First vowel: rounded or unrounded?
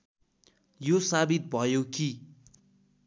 rounded